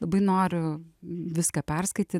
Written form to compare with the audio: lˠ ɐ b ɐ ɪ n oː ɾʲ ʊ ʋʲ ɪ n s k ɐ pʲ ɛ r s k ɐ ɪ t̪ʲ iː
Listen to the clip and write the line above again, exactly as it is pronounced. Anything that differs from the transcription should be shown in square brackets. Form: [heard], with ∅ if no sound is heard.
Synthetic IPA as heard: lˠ ɐ b ɐ ɪ n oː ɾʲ ʊ ʋʲ ɪ [∅] s k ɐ pʲ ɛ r s k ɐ ɪ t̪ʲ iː